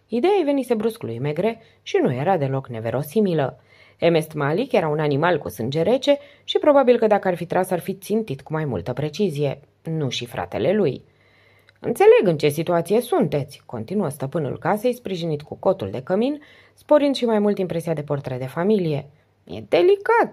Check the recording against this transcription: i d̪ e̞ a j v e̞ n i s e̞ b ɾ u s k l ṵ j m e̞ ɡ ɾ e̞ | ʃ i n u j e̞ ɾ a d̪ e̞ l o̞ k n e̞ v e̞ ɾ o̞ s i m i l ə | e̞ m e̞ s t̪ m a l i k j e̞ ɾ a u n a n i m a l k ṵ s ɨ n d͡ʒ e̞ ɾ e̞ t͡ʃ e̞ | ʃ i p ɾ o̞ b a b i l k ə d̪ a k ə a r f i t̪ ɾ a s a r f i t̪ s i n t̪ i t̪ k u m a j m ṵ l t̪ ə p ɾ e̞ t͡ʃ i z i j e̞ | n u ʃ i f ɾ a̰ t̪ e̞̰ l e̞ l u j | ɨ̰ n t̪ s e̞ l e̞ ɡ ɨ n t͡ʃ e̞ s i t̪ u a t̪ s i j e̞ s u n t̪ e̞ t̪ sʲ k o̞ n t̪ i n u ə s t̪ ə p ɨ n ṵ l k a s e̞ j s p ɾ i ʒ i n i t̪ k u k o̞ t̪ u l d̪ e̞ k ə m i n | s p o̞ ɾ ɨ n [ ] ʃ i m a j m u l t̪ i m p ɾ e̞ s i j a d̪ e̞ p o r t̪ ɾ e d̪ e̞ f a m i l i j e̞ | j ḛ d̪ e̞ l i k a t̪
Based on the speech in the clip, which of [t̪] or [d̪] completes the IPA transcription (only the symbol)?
d̪